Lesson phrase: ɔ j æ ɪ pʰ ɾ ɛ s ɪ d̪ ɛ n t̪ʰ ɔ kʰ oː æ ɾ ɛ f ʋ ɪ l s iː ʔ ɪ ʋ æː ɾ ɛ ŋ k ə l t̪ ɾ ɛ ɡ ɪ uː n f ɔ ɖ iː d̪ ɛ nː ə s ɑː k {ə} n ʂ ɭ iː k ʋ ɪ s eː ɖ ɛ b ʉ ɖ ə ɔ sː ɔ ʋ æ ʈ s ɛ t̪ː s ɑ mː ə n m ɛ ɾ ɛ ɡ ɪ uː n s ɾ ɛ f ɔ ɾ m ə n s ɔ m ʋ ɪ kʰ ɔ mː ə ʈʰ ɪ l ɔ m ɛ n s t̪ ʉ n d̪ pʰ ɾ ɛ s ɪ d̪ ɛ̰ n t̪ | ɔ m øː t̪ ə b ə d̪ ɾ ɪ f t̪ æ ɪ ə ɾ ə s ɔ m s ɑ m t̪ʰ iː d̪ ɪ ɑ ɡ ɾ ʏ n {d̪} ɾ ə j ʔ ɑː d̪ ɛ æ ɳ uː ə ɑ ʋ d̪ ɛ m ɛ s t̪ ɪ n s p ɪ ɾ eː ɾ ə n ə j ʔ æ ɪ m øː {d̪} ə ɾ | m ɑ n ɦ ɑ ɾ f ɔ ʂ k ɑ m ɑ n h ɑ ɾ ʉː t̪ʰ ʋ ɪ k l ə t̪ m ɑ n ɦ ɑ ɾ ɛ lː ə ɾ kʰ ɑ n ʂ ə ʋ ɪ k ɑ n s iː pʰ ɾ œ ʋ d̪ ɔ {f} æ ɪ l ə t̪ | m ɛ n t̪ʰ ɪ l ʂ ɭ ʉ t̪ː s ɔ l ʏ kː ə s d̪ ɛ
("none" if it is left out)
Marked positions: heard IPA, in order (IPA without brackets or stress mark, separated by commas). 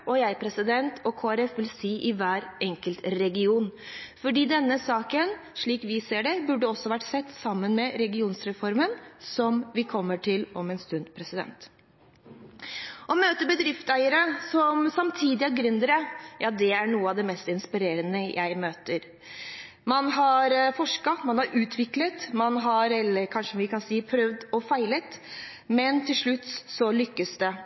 ə, d̪, t̪, f